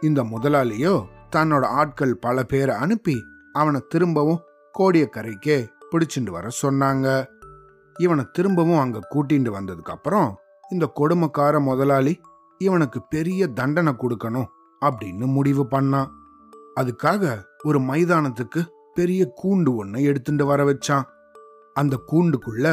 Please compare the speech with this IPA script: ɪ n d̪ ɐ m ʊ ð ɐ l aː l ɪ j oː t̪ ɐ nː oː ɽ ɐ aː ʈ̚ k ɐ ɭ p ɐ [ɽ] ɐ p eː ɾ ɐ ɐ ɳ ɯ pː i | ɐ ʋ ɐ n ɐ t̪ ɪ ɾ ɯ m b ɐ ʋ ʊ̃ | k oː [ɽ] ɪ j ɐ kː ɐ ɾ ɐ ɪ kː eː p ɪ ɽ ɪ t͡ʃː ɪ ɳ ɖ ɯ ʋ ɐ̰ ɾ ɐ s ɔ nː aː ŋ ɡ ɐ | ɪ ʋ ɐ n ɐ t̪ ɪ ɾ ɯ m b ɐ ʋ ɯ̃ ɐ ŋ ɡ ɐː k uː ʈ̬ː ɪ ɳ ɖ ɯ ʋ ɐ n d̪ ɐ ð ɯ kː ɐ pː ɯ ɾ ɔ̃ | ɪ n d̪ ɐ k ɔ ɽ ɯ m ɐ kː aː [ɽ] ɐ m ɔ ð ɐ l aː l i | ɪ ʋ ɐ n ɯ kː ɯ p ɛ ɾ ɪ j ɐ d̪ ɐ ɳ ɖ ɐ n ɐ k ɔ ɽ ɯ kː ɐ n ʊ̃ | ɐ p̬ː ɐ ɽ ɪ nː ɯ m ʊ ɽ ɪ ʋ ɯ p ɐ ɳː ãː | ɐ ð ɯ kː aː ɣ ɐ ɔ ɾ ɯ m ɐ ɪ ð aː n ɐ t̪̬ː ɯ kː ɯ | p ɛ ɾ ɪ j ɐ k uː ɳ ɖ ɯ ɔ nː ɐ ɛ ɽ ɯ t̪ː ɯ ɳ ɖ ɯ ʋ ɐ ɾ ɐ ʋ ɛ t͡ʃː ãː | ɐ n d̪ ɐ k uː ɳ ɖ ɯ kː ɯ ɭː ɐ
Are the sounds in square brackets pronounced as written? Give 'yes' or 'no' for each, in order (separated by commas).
no, yes, no